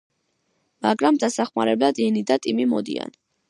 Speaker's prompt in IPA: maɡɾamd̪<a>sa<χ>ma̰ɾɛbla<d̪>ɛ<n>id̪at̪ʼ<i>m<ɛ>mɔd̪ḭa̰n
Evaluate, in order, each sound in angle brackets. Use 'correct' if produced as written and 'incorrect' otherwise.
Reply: correct, correct, correct, correct, correct, incorrect

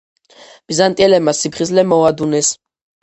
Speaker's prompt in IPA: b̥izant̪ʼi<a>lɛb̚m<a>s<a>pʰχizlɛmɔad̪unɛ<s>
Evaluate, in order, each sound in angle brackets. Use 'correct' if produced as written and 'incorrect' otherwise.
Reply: incorrect, correct, incorrect, correct

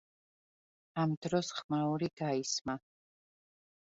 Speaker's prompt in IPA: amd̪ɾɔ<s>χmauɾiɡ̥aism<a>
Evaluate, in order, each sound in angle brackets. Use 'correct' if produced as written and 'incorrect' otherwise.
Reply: correct, correct

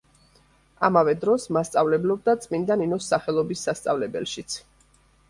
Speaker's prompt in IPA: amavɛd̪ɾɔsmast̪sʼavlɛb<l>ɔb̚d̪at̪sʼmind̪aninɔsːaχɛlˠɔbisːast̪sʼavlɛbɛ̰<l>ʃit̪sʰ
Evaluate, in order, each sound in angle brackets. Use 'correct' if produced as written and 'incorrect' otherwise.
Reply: correct, correct

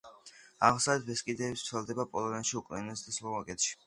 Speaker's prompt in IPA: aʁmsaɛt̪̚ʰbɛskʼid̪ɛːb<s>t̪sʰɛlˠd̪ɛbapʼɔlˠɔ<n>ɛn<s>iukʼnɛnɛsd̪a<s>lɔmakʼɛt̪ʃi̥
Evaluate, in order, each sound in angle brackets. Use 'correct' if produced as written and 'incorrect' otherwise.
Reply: correct, correct, incorrect, correct

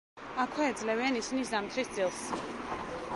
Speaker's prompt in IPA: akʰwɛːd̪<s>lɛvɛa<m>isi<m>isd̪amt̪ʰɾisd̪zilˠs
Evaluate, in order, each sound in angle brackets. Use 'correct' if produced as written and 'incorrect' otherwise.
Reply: incorrect, incorrect, incorrect

